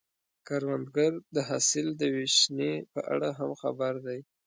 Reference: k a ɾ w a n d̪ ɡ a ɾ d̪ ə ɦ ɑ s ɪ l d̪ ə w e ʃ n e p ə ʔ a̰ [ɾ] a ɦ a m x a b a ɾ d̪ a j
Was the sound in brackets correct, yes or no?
no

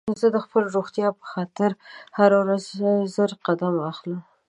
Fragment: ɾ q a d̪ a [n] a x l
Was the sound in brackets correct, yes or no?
no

